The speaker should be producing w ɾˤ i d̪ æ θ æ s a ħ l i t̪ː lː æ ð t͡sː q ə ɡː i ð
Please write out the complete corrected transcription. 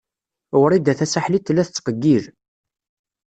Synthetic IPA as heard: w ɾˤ i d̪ æ θ æ s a ħ l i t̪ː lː æ θ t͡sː q ə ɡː i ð